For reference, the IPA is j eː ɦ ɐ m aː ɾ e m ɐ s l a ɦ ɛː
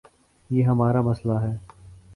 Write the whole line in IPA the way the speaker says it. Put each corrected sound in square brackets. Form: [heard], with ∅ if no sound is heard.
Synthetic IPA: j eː ɦ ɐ m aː ɾ [a] m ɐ s l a ɦ ɛː